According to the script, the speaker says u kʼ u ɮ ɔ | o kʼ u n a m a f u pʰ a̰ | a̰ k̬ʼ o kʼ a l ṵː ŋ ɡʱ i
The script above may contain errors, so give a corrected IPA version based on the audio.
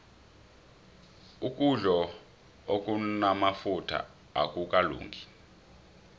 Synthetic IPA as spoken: u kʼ u ɮ ɔ | o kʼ u n a m a f u tʰ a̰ | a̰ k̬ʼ u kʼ a l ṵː ŋ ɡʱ i